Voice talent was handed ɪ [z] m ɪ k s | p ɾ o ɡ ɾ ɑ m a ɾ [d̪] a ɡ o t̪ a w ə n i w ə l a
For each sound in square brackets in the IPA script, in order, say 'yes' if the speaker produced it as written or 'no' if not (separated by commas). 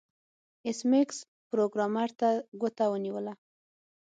no, no